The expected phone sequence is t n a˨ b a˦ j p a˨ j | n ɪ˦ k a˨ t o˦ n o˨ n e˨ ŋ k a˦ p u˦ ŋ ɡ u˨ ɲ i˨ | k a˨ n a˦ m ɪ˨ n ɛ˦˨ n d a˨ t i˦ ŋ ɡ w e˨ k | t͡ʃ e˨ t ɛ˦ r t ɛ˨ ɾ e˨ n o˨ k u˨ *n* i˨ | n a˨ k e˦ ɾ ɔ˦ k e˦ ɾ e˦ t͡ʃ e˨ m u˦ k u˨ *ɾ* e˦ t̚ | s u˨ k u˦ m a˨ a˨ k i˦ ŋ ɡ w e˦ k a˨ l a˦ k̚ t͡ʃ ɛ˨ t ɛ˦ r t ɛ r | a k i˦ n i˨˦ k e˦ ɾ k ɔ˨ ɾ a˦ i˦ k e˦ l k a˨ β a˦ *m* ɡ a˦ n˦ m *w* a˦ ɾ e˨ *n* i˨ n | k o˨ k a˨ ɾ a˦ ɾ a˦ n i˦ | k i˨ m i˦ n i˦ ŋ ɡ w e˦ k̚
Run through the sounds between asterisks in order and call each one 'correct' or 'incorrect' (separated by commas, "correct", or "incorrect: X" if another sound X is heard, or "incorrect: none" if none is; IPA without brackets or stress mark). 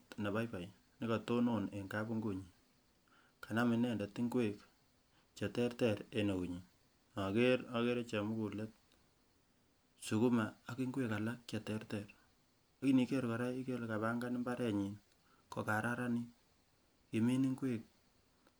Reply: incorrect: ɲ, incorrect: l, incorrect: ŋ, incorrect: b, incorrect: ɲ